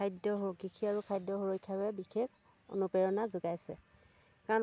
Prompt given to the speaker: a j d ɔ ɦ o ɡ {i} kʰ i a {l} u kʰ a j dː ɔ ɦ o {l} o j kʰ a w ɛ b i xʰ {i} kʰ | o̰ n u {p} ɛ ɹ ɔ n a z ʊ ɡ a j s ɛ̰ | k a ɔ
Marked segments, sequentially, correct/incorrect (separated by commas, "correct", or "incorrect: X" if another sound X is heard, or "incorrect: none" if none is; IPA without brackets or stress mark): correct, incorrect: ɹ, incorrect: ɹ, incorrect: e, correct